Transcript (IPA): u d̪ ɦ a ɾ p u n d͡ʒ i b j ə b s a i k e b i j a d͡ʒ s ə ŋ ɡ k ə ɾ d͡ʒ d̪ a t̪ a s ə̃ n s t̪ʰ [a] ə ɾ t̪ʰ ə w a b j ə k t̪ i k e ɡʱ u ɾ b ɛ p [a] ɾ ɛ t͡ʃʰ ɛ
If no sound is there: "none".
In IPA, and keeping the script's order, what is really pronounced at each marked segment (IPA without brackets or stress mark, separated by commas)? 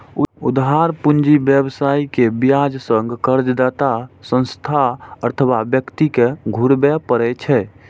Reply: a, ə